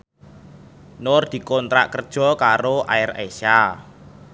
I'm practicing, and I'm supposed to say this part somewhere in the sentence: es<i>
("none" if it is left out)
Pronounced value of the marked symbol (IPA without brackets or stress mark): a